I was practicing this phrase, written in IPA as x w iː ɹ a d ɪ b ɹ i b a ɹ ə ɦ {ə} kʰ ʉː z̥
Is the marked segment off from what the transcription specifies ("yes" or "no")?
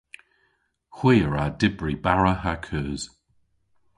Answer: yes